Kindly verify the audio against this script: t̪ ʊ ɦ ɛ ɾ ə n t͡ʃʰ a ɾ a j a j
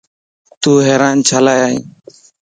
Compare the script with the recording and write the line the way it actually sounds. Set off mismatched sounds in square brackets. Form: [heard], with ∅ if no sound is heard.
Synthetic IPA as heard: t̪ [u] ɦ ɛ ɾ [a] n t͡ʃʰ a [l] a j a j